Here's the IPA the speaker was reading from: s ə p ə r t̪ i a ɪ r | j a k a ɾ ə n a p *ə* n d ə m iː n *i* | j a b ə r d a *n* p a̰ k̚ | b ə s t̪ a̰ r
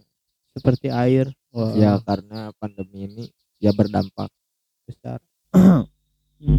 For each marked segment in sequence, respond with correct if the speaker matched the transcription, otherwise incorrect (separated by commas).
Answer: incorrect, correct, incorrect